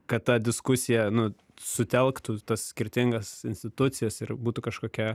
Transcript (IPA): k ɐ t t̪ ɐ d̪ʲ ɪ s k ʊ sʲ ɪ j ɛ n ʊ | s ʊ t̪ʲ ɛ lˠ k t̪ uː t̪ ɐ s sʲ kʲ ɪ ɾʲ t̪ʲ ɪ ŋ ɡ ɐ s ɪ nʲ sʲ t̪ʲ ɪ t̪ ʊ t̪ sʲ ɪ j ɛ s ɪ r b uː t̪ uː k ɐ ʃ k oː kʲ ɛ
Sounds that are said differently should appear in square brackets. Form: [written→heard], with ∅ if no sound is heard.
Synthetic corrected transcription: k ɐ t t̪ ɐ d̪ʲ ɪ s k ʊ sʲ ɪ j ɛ n ʊ | s ʊ t̪ʲ ɛ lˠ k t̪ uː t̪ ɐ s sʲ kʲ ɪ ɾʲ t̪ʲ ɪ ŋ ɡ ɐ s ɪ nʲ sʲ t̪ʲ ɪ t̪ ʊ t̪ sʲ ɪ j ɛ s ɪ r b uː t̪ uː k ɐ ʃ k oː kʲ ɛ